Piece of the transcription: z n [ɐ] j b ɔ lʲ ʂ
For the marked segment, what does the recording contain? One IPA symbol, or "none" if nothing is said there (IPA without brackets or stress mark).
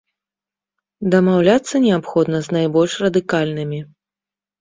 a